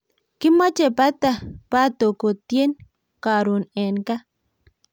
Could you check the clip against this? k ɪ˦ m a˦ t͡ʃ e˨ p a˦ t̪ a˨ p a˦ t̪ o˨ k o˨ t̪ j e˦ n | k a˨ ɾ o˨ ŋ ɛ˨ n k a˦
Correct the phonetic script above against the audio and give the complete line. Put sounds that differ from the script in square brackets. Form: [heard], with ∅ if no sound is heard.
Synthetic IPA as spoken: k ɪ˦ m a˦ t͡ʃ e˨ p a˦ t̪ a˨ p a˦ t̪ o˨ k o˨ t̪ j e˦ n | k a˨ ɾ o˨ [n] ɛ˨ n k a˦